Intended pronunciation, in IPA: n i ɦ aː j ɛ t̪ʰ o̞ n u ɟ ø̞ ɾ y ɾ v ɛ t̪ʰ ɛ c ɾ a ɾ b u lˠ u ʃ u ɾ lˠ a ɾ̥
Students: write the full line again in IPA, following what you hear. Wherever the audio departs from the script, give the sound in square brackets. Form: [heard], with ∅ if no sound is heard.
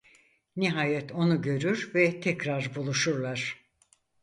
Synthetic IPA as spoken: n i ɦ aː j ɛ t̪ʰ o̞ n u ɟ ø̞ ɾ y ɾ v ɛ t̪ʰ ɛ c ɾ a ɾ b u lˠ u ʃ u ɾ lˠ a ɾ̥